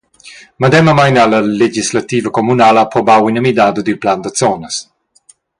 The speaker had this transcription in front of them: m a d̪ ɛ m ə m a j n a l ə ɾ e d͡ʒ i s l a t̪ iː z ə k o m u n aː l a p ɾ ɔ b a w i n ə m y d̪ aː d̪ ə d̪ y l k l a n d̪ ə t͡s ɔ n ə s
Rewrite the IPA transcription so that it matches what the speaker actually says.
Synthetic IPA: m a d̪ ɛ m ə m a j n a l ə l e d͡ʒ i s l a t̪ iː v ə k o m u n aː l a p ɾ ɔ b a w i n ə m i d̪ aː d̪ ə d̪ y l p l a n d̪ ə t͡s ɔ n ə s